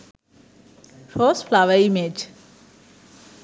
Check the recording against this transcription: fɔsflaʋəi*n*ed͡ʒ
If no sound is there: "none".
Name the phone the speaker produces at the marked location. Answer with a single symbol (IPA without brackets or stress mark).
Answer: m